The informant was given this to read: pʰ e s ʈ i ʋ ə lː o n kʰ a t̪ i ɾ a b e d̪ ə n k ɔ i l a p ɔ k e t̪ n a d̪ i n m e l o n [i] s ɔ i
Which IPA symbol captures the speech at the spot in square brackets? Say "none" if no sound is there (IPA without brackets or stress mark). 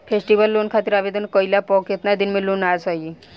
a